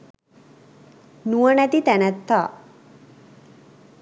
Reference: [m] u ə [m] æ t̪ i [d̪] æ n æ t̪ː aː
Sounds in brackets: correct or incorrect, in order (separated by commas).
incorrect, incorrect, incorrect